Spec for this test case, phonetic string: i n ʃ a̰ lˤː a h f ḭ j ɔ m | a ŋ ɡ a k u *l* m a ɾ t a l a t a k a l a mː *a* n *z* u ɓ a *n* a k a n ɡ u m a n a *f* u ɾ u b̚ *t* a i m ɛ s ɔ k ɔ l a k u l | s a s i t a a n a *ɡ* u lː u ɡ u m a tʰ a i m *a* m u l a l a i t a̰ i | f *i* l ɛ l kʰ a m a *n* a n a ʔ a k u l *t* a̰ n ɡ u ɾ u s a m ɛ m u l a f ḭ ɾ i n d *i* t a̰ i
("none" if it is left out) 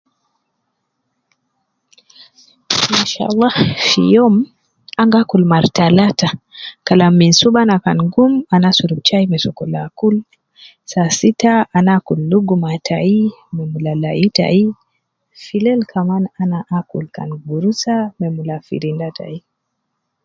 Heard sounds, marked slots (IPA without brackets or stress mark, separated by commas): l, i, s, n, s, t͡ʃ, k, ɛ, i, n, k, a